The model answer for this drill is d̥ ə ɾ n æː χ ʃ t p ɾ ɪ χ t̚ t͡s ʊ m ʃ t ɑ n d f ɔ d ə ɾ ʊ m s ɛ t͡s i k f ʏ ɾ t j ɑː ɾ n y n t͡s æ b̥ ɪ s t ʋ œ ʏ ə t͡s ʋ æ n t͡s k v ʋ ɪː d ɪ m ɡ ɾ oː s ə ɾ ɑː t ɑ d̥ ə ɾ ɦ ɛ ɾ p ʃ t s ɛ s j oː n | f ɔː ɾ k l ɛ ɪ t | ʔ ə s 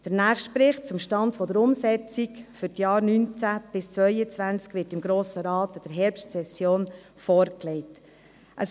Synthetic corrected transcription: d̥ ə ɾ n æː χ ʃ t p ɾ ɪ χ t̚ t͡s ʊ m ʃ t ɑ n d f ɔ d ə ɾ ʊ m s ɛ t͡s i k f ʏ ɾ t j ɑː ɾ n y n t͡s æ b̥ ɪ s t͡s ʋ œ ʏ ə t͡s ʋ æ n t͡s k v ʋ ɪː t ɪ m ɡ ɾ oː s ə ɾ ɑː t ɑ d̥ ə ɾ ɦ ɛ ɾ p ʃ t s ɛ s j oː n | f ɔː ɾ k l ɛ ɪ t | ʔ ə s